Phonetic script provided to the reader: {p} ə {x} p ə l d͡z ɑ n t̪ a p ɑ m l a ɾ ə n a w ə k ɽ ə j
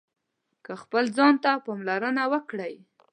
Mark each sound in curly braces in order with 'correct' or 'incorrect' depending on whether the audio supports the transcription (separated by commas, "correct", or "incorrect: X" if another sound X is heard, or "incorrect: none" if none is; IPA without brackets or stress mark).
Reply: incorrect: k, correct